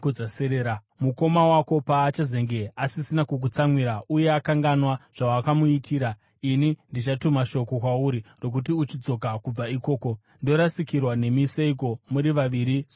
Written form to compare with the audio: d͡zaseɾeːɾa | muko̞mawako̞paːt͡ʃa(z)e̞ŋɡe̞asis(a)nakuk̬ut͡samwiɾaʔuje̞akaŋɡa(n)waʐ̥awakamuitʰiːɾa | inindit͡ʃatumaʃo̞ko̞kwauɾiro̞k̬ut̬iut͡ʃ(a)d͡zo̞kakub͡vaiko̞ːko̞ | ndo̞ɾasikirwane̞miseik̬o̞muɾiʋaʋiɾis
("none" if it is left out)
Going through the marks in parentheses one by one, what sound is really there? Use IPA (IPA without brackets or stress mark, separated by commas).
z, i, n, i